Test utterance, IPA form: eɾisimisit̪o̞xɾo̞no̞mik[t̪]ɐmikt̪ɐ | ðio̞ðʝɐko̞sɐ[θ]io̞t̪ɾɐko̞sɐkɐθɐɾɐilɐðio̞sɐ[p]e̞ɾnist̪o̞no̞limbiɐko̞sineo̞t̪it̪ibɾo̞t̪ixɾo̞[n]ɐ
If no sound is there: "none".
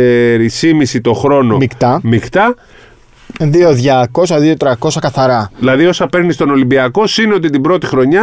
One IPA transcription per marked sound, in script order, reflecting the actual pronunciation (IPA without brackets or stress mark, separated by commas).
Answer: t̪, ð, p, ɲ